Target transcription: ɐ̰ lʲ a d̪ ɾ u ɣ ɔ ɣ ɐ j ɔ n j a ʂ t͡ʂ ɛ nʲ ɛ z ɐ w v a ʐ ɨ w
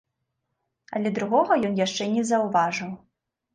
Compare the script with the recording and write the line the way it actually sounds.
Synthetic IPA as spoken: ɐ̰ lʲ ɛ d̪ ɾ u ɣ ɔ ɣ ɐ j ɔ n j a ʂ t͡ʂ ɛ nʲ ɛ z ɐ w v a ʐ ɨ w